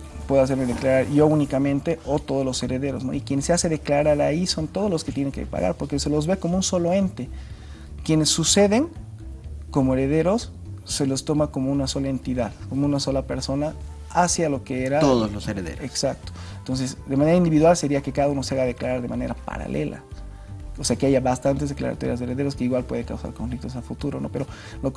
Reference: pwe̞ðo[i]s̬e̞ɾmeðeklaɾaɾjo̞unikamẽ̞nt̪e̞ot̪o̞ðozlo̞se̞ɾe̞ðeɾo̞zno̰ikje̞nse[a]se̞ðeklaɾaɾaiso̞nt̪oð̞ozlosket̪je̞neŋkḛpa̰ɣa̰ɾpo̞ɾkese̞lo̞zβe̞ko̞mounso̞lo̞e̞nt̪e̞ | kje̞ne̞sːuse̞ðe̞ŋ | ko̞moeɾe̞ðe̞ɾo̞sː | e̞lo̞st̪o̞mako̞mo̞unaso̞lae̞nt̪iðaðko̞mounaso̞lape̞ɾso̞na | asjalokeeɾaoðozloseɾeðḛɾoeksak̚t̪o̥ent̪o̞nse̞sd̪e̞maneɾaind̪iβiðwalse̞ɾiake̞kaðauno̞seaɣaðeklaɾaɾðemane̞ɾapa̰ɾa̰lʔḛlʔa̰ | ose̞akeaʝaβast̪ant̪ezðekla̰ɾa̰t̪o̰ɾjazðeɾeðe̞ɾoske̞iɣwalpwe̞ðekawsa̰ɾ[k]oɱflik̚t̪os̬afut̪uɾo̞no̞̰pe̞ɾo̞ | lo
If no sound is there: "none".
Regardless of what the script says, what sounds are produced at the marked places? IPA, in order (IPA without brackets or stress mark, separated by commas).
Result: a, a, k